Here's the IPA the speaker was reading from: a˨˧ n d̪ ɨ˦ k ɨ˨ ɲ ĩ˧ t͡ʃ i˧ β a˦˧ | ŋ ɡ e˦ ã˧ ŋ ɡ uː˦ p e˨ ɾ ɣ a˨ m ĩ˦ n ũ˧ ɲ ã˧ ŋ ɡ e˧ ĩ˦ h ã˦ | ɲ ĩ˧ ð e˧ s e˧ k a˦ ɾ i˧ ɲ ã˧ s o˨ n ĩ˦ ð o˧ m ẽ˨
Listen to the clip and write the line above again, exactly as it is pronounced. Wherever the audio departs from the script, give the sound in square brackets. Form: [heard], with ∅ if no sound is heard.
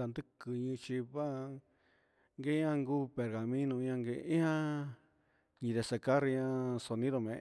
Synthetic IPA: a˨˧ n d̪ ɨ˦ k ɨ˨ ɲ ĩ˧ t͡ʃ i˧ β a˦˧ | ŋ ɡ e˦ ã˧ ŋ ɡ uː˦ p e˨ ɾ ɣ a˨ m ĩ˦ n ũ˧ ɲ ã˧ ŋ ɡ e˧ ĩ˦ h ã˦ | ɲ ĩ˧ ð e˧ s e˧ k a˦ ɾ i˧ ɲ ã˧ s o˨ n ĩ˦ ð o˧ m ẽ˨